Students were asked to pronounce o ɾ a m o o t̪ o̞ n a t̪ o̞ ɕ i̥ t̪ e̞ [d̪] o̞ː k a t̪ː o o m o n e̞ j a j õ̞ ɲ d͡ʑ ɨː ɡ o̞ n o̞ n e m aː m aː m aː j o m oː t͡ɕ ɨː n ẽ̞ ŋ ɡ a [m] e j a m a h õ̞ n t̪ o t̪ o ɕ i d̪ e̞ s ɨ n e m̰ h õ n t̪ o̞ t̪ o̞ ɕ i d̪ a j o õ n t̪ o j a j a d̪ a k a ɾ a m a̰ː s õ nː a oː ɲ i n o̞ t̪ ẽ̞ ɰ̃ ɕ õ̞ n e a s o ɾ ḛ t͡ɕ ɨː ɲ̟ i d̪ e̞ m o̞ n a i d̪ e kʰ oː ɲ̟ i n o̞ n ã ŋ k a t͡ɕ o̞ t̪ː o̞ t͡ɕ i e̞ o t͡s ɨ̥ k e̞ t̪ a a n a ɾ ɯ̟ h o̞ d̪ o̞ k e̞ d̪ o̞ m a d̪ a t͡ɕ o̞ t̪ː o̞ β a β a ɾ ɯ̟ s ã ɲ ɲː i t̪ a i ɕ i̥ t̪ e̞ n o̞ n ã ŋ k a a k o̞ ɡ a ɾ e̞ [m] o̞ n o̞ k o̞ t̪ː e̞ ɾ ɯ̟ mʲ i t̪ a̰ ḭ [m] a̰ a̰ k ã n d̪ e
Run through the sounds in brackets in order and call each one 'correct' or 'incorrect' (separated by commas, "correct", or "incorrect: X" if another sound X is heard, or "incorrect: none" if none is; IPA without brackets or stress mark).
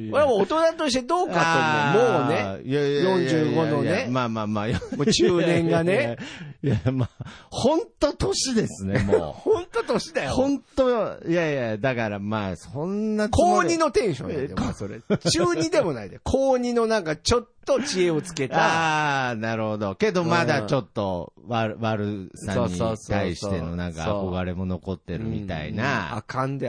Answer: correct, incorrect: n, correct, incorrect: n